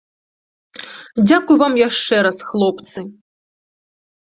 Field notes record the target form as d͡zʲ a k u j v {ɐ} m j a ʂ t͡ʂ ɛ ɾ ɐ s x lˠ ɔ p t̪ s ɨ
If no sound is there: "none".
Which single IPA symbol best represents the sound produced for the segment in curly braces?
a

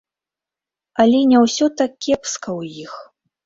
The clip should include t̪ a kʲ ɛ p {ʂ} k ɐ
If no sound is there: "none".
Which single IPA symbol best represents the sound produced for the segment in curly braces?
s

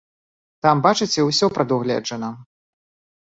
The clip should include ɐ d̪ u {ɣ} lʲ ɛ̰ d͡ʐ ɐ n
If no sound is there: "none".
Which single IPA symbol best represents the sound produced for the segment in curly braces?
ɣ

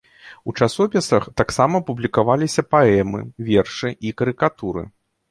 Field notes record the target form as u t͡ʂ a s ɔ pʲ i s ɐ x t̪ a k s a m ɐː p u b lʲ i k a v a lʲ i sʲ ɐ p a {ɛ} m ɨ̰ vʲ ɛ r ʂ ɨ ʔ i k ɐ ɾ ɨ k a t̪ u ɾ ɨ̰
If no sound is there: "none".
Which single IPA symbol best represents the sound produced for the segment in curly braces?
ɛ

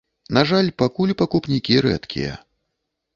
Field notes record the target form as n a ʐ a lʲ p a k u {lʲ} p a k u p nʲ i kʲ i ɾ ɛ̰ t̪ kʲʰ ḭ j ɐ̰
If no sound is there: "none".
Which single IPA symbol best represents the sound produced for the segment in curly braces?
lʲ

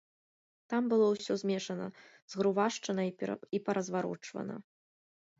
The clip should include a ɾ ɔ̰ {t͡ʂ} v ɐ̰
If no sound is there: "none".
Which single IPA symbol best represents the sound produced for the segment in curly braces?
t͡ʂ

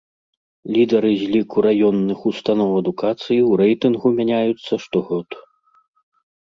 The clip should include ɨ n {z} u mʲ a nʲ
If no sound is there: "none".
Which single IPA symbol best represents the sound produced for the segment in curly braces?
ɣ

